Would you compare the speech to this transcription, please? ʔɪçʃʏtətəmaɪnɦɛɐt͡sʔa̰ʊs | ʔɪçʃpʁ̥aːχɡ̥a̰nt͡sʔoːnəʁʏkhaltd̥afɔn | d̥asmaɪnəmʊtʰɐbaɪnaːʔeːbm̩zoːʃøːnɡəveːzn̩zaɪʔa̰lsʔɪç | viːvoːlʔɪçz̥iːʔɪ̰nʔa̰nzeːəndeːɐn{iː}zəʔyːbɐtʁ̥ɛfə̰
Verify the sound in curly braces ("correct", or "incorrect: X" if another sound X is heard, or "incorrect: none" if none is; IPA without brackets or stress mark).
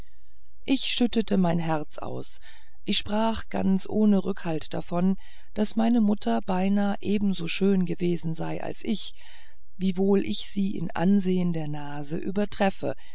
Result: incorrect: aː